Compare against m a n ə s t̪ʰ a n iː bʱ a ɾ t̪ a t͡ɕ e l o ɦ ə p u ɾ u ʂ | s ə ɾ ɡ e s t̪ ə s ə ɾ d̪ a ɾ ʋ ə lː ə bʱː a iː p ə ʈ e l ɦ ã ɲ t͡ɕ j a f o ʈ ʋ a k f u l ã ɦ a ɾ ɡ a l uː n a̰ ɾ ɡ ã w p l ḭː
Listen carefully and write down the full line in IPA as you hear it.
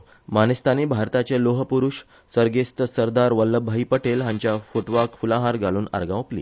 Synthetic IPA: m a n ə s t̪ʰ a n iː bʱ a ɾ t̪ a t͡ɕ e l o ɦ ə p u ɾ u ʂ | s ə ɾ ɡ e s t̪ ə s ə ɾ d̪ a ɾ ʋ ə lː ə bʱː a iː p ə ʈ e l ɦ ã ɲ t͡ɕ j a f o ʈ ʋ a k f u l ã ɦ a ɾ ɡ a l uː n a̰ ɾ ɡ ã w p l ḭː